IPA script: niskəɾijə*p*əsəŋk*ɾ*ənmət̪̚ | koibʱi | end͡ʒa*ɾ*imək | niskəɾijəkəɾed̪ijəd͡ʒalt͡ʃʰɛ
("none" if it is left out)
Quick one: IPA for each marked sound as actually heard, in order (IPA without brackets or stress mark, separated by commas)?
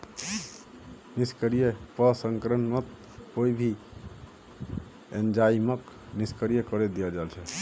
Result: p, ɾ, none